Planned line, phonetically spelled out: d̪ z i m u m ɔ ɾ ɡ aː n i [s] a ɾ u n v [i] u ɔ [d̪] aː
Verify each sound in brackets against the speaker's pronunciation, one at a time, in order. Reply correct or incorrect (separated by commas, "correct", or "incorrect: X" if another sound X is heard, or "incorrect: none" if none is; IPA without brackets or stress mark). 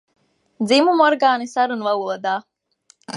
correct, incorrect: a, correct